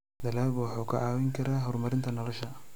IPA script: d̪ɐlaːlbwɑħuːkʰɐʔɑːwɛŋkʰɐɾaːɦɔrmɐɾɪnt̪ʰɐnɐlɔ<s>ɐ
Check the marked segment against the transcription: incorrect: ʃ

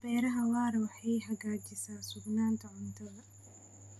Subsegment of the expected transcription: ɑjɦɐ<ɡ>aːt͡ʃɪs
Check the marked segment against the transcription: correct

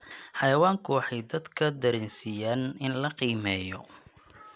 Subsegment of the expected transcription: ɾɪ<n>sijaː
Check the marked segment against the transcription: correct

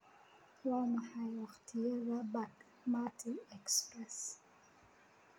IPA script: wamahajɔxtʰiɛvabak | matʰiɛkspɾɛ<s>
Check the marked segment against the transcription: correct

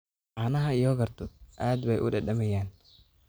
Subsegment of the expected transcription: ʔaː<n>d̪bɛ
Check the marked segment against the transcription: incorrect: none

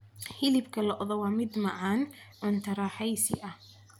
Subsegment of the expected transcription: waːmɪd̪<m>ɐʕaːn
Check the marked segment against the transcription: correct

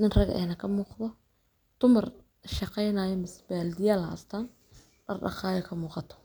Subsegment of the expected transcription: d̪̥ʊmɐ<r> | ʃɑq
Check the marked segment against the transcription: correct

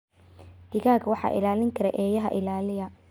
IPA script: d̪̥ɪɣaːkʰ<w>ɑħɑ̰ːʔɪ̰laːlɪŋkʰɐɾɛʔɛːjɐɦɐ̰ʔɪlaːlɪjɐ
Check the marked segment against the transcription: correct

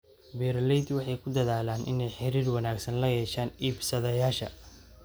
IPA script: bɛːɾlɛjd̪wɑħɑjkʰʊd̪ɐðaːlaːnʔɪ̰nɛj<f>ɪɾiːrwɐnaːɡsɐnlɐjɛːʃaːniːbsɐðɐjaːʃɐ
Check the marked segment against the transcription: incorrect: ħ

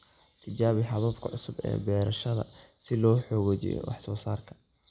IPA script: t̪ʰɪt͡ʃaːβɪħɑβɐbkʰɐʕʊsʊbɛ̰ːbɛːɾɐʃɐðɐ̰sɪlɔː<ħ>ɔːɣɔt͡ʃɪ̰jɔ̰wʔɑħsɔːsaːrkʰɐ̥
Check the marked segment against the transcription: correct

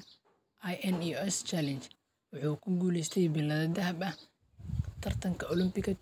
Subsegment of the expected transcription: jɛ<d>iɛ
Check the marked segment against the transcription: incorrect: n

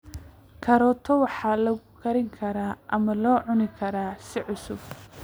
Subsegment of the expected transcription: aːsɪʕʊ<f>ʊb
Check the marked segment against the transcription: incorrect: s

